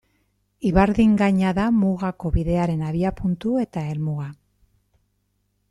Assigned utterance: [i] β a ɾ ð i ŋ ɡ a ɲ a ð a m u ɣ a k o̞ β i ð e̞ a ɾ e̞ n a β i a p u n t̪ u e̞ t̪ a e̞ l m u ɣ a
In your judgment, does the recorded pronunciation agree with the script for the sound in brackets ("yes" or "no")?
yes